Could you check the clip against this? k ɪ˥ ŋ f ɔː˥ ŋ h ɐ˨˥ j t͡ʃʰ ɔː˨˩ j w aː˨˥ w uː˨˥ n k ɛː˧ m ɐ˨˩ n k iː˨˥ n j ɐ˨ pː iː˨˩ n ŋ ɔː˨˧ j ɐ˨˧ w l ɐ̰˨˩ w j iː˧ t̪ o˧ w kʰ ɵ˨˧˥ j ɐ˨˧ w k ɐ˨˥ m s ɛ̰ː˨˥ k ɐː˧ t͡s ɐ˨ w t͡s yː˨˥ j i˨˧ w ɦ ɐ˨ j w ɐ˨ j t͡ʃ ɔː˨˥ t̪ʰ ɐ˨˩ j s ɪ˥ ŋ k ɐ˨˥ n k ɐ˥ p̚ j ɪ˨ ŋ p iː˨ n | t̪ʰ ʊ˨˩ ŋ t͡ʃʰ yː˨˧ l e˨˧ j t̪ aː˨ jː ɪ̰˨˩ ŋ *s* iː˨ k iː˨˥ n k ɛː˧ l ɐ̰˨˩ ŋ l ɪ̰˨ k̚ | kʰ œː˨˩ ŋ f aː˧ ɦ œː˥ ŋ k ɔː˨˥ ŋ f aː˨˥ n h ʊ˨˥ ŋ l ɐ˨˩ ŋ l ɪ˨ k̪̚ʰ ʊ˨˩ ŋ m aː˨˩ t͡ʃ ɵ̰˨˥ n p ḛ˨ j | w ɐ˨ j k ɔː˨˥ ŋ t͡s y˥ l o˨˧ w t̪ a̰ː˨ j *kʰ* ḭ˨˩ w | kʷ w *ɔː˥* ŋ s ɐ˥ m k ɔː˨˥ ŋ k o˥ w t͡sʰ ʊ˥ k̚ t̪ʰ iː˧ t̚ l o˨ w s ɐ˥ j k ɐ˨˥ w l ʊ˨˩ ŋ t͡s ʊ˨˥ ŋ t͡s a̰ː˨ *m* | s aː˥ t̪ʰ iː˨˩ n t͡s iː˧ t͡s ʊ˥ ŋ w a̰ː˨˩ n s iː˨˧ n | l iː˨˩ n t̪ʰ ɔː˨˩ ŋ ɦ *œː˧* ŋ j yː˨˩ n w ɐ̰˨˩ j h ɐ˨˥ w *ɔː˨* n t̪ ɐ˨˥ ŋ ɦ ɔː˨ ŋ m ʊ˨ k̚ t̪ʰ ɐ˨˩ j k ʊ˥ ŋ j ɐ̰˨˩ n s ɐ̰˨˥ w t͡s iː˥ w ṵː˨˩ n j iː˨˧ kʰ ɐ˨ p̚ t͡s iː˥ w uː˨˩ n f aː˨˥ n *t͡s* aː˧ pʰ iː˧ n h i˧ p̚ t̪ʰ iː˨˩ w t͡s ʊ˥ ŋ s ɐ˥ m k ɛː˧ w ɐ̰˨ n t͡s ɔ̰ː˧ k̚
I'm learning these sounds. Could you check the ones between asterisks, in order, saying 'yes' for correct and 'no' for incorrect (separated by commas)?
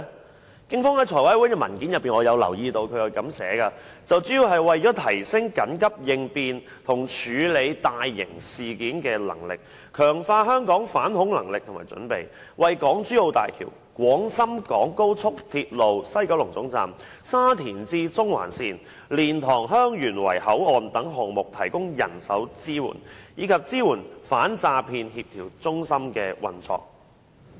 yes, yes, no, yes, no, yes, yes